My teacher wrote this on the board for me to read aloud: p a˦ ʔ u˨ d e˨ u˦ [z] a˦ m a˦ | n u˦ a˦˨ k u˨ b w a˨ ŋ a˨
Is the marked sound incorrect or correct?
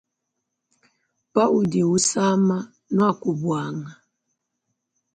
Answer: incorrect